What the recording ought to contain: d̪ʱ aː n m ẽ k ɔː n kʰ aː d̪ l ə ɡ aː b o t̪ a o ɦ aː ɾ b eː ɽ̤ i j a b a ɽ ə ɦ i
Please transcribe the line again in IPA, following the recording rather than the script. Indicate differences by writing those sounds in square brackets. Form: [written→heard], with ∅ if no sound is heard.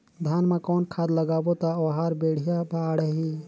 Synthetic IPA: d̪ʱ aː n m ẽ k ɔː n kʰ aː d̪ l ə ɡ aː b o t̪ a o ɦ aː ɾ b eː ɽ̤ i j a b a ɽ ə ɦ i